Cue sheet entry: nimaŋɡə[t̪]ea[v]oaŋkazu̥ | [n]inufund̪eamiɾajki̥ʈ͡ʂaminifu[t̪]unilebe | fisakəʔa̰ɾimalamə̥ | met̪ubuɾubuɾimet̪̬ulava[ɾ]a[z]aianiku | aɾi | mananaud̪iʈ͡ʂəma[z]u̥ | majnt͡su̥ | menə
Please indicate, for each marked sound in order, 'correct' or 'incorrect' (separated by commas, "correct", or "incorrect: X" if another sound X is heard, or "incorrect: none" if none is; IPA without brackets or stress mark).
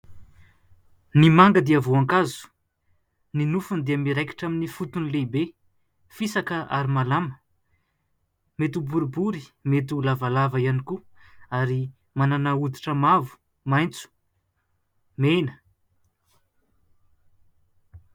incorrect: d̪, correct, correct, correct, incorrect: l, incorrect: v, incorrect: v